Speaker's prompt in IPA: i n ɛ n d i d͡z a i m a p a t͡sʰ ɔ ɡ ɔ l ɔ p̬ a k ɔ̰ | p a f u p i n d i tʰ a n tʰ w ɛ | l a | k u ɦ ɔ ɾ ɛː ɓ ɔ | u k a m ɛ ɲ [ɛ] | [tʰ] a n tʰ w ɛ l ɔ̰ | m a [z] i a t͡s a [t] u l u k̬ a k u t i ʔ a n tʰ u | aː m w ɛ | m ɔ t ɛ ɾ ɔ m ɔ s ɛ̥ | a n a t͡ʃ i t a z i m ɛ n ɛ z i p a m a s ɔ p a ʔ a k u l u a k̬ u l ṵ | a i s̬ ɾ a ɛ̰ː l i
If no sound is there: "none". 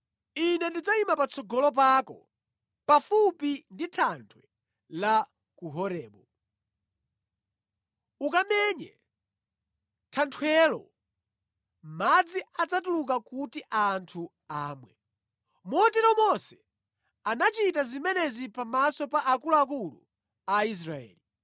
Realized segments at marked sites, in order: ɛ, tʰ, d͡z, t

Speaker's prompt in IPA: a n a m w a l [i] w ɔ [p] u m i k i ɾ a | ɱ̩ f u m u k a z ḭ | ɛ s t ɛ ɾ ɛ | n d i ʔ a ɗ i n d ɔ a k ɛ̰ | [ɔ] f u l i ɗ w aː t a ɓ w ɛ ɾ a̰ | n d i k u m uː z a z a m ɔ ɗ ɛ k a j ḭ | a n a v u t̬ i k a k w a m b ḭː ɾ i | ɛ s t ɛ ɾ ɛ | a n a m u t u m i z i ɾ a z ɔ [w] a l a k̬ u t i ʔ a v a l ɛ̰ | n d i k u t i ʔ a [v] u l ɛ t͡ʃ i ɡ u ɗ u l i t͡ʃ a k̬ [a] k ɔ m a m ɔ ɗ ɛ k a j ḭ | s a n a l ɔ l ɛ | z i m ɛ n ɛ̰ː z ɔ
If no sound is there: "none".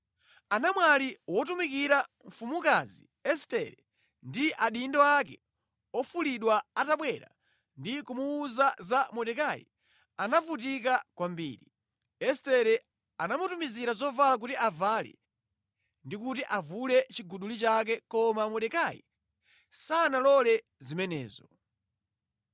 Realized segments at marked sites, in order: i, t, ɔ, v, v, ɛ

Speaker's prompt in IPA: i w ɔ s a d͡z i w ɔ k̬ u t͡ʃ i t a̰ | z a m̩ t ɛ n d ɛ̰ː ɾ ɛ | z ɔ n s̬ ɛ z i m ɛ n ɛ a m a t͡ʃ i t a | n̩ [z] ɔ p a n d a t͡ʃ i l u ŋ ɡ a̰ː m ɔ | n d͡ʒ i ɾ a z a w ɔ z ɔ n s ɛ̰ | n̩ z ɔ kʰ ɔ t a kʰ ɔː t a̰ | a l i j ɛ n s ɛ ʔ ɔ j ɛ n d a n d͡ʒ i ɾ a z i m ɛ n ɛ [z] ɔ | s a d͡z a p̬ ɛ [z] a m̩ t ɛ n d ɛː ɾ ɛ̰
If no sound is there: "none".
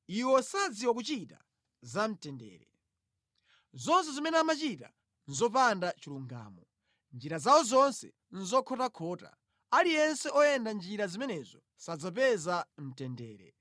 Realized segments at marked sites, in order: z, z, z

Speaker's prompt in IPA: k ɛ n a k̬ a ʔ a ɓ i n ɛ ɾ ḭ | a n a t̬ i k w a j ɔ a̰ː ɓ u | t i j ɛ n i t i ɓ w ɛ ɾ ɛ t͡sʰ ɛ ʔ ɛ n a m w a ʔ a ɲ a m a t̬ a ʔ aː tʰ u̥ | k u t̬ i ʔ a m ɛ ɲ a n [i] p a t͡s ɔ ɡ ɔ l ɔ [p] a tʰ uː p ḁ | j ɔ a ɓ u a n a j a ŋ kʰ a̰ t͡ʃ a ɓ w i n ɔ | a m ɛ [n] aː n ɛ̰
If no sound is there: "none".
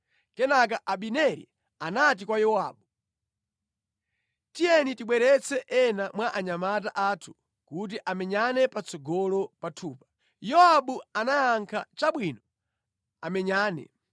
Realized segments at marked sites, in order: ɛ, p, ɲ

